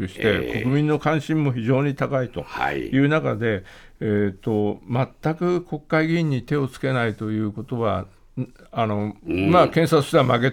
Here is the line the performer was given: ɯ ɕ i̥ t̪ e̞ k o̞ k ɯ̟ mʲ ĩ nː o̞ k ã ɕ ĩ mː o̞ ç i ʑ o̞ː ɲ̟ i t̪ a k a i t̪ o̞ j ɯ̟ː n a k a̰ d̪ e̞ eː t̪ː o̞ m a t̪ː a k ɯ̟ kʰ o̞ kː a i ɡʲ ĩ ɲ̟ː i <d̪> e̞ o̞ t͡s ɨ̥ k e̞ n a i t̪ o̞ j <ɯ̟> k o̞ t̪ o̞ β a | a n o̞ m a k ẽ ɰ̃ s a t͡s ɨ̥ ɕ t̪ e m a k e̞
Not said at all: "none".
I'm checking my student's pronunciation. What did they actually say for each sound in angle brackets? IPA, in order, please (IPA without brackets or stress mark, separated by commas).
t̪, ɯ̟ː